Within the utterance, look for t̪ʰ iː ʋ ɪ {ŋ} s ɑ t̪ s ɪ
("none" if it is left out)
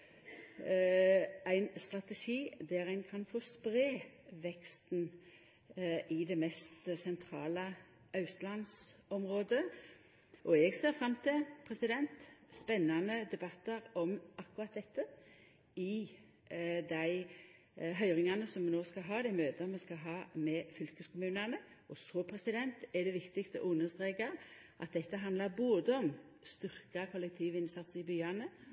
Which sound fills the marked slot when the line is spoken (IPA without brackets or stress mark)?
n